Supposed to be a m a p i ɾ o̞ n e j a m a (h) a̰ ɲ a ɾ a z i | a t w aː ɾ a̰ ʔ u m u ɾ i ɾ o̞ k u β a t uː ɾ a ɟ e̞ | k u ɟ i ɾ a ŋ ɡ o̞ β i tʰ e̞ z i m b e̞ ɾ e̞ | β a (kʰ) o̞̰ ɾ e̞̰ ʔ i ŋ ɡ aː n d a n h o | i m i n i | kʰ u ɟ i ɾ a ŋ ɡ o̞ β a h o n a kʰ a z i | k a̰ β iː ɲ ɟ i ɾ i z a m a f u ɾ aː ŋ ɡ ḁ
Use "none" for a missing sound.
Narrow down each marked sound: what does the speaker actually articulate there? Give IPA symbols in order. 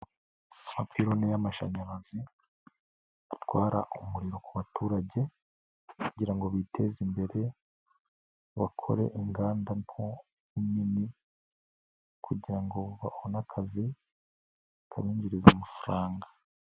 ʃ, kʰ

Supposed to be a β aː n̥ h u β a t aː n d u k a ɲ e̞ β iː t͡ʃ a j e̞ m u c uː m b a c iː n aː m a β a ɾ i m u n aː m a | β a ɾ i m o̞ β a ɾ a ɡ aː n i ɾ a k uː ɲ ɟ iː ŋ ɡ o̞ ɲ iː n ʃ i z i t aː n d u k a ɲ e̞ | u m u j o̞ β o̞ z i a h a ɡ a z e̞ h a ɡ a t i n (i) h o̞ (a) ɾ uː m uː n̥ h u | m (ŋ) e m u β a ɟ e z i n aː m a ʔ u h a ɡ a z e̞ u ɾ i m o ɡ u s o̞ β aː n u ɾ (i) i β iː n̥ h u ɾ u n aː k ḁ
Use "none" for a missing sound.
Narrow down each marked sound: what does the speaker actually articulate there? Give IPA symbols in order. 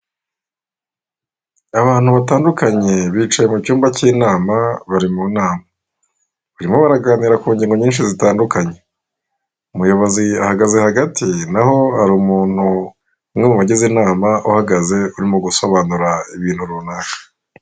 a, a, ŋ, a

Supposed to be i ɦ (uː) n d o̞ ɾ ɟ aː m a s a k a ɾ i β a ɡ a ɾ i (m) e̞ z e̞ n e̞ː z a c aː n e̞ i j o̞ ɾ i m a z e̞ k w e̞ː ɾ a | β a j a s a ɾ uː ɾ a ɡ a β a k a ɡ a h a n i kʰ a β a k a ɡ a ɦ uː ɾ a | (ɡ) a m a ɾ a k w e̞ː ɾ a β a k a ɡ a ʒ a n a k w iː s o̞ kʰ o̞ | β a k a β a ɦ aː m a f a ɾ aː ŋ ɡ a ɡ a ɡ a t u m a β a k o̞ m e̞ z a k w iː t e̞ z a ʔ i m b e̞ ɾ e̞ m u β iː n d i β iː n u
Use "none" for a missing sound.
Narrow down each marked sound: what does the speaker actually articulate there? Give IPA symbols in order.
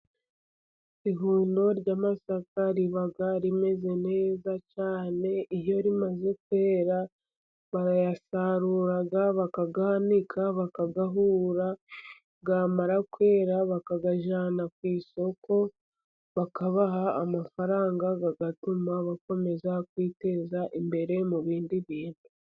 uː, m, ɡ

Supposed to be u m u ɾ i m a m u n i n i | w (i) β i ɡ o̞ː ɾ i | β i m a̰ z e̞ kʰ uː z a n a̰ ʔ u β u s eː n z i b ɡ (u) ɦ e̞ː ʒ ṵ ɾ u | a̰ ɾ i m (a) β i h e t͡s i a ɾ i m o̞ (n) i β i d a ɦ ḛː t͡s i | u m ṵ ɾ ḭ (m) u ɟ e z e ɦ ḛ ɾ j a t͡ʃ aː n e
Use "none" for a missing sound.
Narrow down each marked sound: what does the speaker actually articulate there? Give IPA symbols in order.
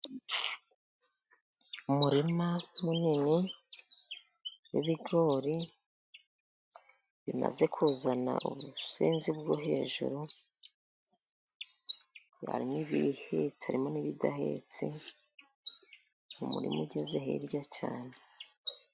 i, o, i, n, m

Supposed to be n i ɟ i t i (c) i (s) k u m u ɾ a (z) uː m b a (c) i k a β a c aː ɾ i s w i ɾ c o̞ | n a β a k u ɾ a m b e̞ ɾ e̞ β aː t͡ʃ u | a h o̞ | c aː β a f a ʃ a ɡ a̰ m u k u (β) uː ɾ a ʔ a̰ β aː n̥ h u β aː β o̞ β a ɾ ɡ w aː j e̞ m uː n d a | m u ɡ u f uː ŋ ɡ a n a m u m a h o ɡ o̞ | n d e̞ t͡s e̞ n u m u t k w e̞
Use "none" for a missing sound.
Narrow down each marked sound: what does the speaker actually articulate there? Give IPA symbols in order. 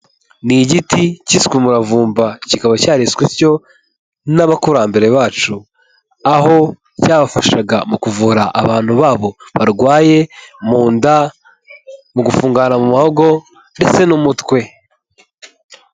c, s, v, c, v

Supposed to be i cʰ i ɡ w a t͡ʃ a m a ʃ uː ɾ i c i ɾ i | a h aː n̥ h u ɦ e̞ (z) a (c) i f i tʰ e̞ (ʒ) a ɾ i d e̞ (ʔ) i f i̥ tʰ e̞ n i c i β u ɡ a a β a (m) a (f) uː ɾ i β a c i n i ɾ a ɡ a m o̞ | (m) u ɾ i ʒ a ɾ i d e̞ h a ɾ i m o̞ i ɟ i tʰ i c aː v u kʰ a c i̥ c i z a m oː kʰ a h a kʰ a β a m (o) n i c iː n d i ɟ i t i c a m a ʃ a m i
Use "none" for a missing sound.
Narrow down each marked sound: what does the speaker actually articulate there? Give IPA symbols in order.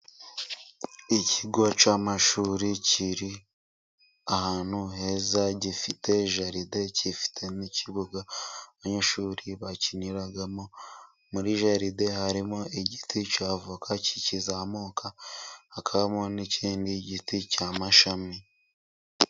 z, ɟ, ʒ, c, ɲ, ʃ, m, o

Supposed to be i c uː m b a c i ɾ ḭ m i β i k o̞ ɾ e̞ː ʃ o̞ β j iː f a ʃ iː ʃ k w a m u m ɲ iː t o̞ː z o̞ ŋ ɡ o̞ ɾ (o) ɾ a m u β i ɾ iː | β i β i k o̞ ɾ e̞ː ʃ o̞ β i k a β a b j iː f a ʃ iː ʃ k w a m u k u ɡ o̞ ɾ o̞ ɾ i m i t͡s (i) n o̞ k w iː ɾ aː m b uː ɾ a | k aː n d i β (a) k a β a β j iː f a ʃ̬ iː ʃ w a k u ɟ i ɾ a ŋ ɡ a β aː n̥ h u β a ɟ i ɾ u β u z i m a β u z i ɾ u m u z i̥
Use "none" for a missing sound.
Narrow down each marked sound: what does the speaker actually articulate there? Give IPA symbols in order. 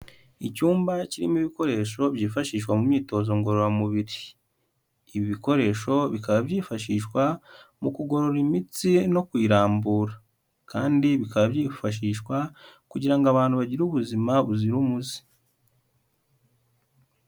o, i, i

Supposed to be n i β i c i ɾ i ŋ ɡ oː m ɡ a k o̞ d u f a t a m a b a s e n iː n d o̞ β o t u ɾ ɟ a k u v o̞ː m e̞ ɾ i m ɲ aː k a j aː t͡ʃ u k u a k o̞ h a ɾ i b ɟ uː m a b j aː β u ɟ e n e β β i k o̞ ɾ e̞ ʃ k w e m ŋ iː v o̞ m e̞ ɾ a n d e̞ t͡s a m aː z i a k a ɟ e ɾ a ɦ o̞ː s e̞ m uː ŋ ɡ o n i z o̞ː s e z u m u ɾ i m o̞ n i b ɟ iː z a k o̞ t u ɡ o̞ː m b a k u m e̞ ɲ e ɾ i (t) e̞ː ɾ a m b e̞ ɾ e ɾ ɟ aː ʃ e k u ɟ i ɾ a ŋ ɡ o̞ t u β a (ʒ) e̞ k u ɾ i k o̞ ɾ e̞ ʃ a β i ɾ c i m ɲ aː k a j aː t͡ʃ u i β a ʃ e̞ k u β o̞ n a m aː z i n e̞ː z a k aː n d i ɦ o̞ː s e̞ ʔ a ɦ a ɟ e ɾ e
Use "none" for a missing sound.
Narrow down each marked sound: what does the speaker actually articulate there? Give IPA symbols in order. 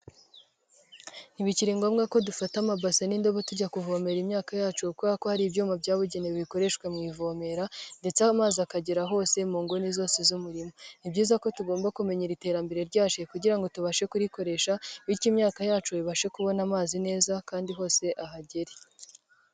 t, ʃ

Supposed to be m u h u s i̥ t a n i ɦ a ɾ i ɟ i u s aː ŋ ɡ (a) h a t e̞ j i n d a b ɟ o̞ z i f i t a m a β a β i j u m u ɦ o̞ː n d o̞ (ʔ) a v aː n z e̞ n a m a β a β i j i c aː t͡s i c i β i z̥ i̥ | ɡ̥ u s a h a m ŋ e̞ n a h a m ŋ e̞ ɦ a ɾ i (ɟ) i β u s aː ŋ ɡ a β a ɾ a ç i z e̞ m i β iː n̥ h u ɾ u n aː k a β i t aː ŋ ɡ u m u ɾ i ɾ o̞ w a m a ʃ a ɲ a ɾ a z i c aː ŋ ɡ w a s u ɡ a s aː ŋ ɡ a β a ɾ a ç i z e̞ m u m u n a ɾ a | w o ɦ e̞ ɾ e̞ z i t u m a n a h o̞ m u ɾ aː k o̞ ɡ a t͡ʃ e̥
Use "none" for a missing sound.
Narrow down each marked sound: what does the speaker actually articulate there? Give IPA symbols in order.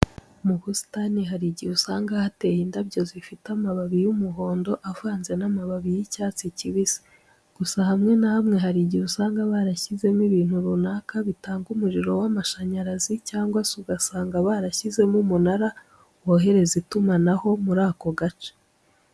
a, ʔ, ɟ

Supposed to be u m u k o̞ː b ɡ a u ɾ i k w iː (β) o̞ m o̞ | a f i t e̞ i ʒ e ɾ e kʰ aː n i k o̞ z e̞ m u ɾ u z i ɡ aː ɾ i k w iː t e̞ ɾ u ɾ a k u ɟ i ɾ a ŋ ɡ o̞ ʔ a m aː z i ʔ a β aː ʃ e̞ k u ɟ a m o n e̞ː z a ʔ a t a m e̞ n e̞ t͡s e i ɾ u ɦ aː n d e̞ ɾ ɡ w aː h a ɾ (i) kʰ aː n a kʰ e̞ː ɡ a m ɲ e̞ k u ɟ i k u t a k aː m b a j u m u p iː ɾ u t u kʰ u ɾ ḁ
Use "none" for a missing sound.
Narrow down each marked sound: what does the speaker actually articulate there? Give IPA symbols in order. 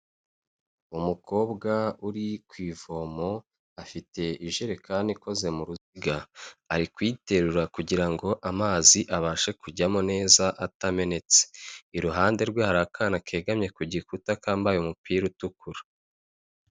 v, a

